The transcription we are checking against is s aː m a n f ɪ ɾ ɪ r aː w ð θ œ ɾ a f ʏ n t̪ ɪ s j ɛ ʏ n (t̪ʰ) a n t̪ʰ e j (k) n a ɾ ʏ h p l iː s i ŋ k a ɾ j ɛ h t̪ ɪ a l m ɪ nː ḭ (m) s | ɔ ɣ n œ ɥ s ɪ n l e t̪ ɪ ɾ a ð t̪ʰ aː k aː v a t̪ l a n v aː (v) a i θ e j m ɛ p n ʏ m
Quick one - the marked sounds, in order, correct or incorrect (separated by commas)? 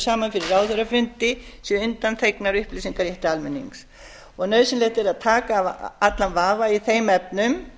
incorrect, correct, incorrect, correct